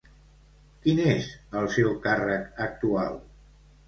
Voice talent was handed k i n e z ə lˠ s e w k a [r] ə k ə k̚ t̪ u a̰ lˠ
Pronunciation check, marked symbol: correct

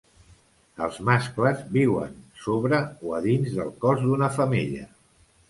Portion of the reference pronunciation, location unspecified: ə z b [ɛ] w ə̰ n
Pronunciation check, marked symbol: incorrect: i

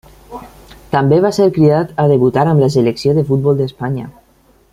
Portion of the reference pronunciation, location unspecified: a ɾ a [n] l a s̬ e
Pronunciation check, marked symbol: incorrect: m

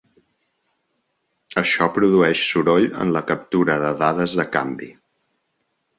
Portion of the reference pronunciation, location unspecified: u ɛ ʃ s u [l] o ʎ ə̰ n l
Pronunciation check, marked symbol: incorrect: ɾ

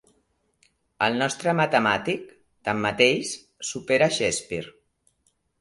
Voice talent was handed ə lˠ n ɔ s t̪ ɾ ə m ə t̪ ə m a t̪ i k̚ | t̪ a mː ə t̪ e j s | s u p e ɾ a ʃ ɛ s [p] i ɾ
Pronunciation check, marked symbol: correct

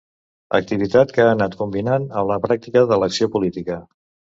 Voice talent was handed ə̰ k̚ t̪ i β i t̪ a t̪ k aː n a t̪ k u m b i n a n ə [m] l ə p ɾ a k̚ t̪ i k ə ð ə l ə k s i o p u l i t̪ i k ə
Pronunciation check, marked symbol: correct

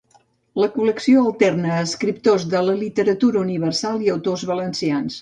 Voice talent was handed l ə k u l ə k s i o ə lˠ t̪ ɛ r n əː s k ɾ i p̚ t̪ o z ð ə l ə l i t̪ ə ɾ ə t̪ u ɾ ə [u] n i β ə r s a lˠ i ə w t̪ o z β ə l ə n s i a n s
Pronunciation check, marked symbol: correct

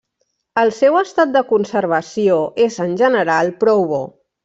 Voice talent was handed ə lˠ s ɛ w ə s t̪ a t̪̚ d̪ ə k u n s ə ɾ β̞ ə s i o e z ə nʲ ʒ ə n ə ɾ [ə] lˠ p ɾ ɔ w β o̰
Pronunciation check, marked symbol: incorrect: a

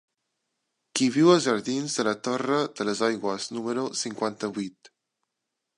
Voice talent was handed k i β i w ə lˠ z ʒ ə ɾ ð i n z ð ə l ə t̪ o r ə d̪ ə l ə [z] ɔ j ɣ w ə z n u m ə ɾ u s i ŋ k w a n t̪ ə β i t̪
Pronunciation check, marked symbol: correct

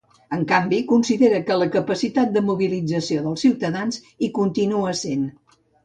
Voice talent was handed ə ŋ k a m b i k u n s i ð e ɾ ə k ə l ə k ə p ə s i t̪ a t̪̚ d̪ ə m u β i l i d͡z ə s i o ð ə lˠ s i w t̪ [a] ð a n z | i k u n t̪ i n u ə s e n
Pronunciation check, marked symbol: incorrect: ə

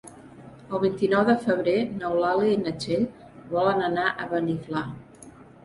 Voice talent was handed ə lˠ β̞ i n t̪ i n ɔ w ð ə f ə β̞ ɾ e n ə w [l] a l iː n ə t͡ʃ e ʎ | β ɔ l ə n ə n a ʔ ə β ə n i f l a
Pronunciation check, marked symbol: correct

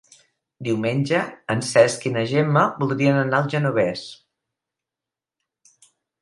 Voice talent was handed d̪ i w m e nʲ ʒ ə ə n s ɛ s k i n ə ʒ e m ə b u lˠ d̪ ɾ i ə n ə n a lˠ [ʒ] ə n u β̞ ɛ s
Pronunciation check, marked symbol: correct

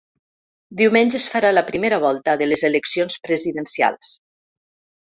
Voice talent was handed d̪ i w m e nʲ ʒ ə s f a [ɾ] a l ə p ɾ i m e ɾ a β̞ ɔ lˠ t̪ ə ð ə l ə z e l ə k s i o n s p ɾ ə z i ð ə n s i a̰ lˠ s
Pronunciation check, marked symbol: correct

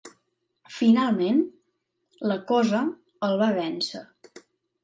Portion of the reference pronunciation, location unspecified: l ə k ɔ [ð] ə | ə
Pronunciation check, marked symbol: incorrect: z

